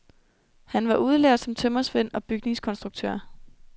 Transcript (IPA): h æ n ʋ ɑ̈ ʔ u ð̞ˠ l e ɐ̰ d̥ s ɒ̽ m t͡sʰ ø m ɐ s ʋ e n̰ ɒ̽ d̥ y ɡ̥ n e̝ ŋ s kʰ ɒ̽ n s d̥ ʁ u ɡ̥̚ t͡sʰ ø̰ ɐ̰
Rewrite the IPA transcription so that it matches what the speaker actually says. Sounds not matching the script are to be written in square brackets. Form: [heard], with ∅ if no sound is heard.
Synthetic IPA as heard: h æ n ʋ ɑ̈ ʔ u ð̞ˠ l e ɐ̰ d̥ s ɒ̽ m t͡sʰ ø m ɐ s ʋ e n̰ ɒ̽ [b̥] y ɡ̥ n e̝ ŋ s kʰ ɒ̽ n s d̥ ʁ u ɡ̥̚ t͡sʰ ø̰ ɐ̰